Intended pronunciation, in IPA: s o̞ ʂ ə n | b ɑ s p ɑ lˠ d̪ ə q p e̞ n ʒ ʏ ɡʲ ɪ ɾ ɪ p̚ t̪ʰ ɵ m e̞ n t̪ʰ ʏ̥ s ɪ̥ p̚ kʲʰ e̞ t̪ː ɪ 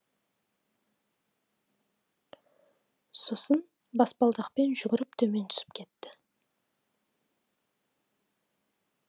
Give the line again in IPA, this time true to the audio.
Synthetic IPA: s o̞ s ə n | b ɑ s p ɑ lˠ d̪ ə q p e̞ n ʒ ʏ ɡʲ ɪ ɾ ɪ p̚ t̪ʰ ɵ m e̞ n t̪ʰ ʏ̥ s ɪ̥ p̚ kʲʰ e̞ t̪ː ɪ

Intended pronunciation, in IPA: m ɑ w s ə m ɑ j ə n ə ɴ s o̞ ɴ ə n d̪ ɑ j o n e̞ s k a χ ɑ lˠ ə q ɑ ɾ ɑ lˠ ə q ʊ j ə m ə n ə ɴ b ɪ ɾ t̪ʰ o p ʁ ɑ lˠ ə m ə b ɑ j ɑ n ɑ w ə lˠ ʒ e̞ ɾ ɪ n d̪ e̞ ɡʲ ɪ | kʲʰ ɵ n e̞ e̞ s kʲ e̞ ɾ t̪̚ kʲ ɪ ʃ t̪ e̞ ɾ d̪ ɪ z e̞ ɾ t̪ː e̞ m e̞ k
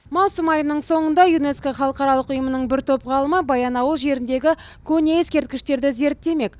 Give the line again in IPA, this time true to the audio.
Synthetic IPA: m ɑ w s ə m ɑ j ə n ə ɴ s o̞ ɴ ə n d̪ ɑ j u n e̞ s k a χ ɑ lˠ ə q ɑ ɾ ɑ lˠ ə q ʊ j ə m ə n ə ɴ b ɪ ɾ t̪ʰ o p ʁ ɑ lˠ ə m ə b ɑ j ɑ n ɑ w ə lˠ ʒ e̞ ɾ ɪ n d̪ e̞ ɡʲ ɪ | kʲʰ ɵ n e̞ e̞ s kʲ e̞ ɾ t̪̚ kʲ ɪ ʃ t̪ e̞ ɾ d̪ ɪ z e̞ ɾ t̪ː e̞ m e̞ k

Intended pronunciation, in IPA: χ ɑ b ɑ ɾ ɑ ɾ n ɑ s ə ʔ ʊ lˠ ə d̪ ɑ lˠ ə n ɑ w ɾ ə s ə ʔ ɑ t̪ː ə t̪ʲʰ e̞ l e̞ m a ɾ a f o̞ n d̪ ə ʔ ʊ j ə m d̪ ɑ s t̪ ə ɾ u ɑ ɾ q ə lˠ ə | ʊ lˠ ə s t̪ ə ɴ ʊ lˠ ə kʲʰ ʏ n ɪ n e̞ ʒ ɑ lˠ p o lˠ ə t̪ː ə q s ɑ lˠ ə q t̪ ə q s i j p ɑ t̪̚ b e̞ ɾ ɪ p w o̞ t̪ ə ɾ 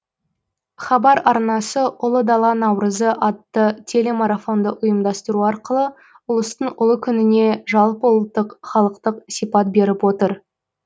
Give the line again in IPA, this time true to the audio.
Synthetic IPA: χ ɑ b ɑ ɾ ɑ ɾ n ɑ s ə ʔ ʊ lˠ ə d̪ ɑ lˠ ɑ n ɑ w ɾ ə z ə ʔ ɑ t̪ː ə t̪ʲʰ e̞ l e̞ m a ɾ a f o̞ n d̪ ə ʔ ʊ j ə m d̪ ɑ s t̪ ə ɾ u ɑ ɾ q ə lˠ ə | ʊ lˠ ə s t̪ ə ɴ ʊ lˠ ə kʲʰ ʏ n ɪ n e̞ ʒ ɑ lˠ p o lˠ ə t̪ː ə q χ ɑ lˠ ə q t̪ ə q s i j p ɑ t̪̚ b e̞ ɾ ɪ p w o̞ t̪ ə ɾ

